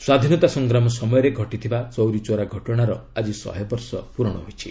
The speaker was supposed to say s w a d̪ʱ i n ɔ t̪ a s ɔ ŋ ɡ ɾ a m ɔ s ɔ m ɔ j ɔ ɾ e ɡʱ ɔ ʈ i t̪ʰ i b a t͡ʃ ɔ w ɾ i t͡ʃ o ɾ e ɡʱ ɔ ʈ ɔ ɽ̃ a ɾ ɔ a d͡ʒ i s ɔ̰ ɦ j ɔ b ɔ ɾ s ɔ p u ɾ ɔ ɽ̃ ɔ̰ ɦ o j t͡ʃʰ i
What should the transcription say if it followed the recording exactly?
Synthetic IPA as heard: s w a d̪ʱ i n ɔ t̪ a s ɔ ŋ ɡ ɾ a m ɔ s ɔ m ɔ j ɔ ɾ e ɡʱ ɔ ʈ i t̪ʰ i b a t͡ʃ ɔ w ɾ i t͡ʃ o ɾ a ɡʱ ɔ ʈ ɔ ɽ̃ a ɾ ɔ a d͡ʒ i s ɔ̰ ɦ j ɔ b ɔ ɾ s ɔ p u ɾ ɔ ɽ̃ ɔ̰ ɦ o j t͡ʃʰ i

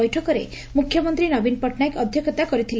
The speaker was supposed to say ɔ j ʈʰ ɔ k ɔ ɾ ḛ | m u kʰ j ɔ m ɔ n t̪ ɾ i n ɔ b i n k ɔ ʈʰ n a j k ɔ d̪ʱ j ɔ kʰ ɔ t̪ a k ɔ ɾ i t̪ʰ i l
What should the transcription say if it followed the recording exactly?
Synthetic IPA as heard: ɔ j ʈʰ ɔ k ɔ ɾ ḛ | m u kʰ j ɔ m ɔ n t̪ ɾ i n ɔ b i n p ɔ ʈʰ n a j k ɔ d̪ʱ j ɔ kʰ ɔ t̪ a k ɔ ɾ i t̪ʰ i l

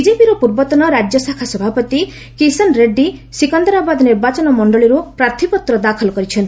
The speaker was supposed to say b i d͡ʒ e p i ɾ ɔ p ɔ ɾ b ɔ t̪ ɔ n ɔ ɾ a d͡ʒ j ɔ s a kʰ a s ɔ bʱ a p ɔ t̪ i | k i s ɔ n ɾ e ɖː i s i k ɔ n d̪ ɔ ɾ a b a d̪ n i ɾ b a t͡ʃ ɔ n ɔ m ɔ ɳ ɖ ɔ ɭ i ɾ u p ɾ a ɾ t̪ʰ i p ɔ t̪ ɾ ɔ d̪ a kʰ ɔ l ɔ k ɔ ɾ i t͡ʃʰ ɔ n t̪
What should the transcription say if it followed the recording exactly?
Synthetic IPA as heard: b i d͡ʒ e p i ɾ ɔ p u ɾ b ɔ t̪ ɔ n ɔ ɾ a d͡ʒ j ɔ s a kʰ a s ɔ bʱ a p ɔ t̪ i | k i s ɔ n ɾ e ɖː i s i k ɔ n d̪ ɔ ɾ a b a d̪ n i ɾ b a t͡ʃ ɔ n ɔ m ɔ ɳ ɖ ɔ ɭ i ɾ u p ɾ a ɾ t̪ʰ i p ɔ t̪ ɾ ɔ d̪ a kʰ ɔ l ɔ k ɔ ɾ i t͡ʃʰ ɔ n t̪

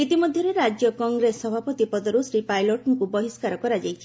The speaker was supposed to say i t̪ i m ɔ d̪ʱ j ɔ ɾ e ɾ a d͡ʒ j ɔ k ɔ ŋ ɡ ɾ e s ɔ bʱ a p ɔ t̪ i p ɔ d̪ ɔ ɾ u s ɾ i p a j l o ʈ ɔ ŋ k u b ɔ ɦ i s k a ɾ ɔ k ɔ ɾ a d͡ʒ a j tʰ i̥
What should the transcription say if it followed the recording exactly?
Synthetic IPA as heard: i t̪ i m ɔ d̪ʱ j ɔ ɾ e ɾ a d͡ʒ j ɔ k ɔ ŋ ɡ ɾ e s ɔ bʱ a p ɔ t̪ i p ɔ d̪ ɔ ɾ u s ɾ i p a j l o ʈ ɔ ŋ k u b ɔ ɦ i s k a ɾ ɔ k ɔ ɾ a d͡ʒ a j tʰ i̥

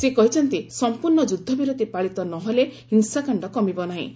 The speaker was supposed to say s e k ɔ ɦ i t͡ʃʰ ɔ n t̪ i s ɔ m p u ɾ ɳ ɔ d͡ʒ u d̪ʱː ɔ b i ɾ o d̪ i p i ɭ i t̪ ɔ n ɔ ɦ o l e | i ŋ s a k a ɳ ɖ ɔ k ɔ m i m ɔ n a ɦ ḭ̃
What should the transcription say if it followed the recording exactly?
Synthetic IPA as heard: s e k ɔ ɦ i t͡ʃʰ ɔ n t̪ i s ɔ m p u ɾ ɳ ɔ d͡ʒ u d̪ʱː ɔ b i ɾ o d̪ i p a ɭ i t̪ ɔ n ɔ ɦ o l e | i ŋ s a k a ɳ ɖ ɔ k ɔ m i b ɔ n a ɦ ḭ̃

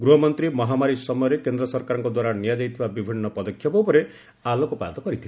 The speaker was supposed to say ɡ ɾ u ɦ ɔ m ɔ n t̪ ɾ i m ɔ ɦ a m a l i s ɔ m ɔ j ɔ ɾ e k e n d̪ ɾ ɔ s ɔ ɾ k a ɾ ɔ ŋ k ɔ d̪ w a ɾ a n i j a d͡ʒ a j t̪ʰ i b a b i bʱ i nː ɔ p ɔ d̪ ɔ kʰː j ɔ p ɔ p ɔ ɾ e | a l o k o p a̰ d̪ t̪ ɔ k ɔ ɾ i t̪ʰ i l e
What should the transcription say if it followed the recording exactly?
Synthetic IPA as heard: ɡ ɾ u ɦ ɔ m ɔ n t̪ ɾ i m ɔ ɦ a m a ɾ i s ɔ m ɔ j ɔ ɾ e k e n d̪ ɾ ɔ s ɔ ɾ k a ɾ ɔ ŋ k ɔ d̪ w a ɾ a n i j a d͡ʒ a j t̪ʰ i b a b i bʱ i nː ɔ p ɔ d̪ ɔ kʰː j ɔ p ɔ p ɔ ɾ e | a l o k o p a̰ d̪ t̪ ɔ k ɔ ɾ i t̪ʰ i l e

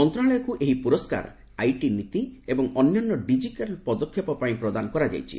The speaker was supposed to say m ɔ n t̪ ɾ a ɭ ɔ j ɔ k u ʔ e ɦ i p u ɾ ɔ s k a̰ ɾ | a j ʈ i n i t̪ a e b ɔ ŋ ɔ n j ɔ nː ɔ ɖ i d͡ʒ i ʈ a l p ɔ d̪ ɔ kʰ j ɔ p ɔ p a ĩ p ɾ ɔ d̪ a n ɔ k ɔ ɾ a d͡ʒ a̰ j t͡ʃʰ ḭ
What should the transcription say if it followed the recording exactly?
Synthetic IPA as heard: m ɔ n t̪ ɾ a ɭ ɔ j ɔ k u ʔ e ɦ i p u ɾ ɔ s k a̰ ɾ | a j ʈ i n i t̪ i e b ɔ ŋ ɔ n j ɔ nː ɔ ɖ i d͡ʒ i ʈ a l p ɔ d̪ ɔ kʰ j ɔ p ɔ p a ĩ p ɾ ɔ d̪ a n ɔ k ɔ ɾ a d͡ʒ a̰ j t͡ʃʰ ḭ

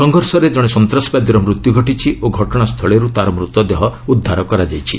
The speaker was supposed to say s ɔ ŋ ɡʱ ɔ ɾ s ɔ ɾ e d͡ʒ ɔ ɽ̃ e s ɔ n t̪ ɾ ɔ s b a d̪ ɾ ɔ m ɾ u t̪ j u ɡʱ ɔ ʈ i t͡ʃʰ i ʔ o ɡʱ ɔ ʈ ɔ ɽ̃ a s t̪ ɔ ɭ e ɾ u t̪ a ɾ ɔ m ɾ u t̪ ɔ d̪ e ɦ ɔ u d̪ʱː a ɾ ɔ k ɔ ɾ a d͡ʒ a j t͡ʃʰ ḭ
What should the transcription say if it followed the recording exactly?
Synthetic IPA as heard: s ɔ ŋ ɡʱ ɔ ɾ s ɔ ɾ e d͡ʒ ɔ ɽ̃ e s ɔ n t̪ ɾ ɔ s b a d̪ ɾ ɔ m ɾ u t̪ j u ɡʱ ɔ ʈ i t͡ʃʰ i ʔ o ɡʱ ɔ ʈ ɔ ɽ̃ a s t̪ʰ ɔ ɭ e ɾ u t̪ a ɾ ɔ m ɾ u t̪ ɔ d̪ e ɦ ɔ u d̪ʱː a ɾ ɔ k ɔ ɾ a d͡ʒ a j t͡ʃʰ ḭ

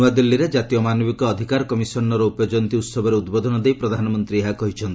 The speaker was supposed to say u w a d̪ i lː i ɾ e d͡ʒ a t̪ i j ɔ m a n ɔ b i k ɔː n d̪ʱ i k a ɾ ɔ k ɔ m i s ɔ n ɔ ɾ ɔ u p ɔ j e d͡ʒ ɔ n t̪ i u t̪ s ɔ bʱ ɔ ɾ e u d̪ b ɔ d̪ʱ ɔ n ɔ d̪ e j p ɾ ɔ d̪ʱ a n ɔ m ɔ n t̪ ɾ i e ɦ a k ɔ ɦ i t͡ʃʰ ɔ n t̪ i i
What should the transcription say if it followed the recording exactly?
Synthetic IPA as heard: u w a d̪ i lː i ɾ e d͡ʒ a t̪ i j ɔ m a n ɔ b i k ɔː d̪ʱ i k a ɾ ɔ k ɔ m i s ɔ n ɔ ɾ ɔ u p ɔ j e d͡ʒ ɔ n t̪ i u t̪ s ɔ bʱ ɔ ɾ e u d̪ b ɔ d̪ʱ ɔ n ɔ d̪ e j p ɾ ɔ d̪ʱ a n ɔ m ɔ n t̪ ɾ i e ɦ a k ɔ ɦ i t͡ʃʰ ɔ n t̪ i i

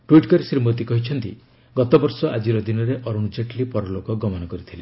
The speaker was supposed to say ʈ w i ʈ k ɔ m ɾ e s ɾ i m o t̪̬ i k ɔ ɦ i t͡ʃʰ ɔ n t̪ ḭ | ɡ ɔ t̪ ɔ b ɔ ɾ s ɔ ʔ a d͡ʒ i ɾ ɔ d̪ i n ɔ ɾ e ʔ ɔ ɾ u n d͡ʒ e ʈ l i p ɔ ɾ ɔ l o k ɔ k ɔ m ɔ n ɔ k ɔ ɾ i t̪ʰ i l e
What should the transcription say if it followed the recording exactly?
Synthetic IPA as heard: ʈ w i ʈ k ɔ ɾ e s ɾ i m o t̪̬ i k ɔ ɦ i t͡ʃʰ ɔ n t̪ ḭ | ɡ ɔ t̪ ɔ b ɔ ɾ s ɔ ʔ a d͡ʒ i ɾ ɔ d̪ i n ɔ ɾ e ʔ ɔ ɾ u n d͡ʒ e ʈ l i p ɔ ɾ ɔ l o k ɔ ɡ ɔ m ɔ n ɔ k ɔ ɾ i t̪ʰ i l e

